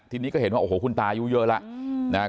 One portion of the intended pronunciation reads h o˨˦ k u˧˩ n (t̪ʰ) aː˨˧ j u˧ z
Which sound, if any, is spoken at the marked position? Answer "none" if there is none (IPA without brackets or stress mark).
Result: t̪